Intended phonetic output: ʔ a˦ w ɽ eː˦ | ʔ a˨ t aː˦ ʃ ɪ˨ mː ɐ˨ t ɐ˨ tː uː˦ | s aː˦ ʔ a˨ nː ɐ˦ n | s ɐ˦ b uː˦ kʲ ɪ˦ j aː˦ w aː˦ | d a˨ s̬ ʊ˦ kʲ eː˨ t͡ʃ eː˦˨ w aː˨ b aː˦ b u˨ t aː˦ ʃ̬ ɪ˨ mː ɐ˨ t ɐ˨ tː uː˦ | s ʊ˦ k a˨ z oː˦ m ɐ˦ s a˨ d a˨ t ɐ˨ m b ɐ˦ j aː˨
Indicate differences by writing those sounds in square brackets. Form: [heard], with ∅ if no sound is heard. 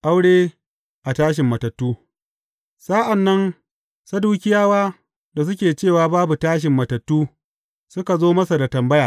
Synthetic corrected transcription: ʔ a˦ w ɽ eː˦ | ʔ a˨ t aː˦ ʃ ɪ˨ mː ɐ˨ t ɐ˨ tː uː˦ | s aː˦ ʔ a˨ nː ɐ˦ n | s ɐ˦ [d] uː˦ kʲ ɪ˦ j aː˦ w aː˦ | d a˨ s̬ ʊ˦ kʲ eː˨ t͡ʃ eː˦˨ w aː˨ b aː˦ b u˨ t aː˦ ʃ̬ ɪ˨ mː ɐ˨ t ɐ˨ tː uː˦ | s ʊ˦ k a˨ z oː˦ m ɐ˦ s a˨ d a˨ t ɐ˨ m b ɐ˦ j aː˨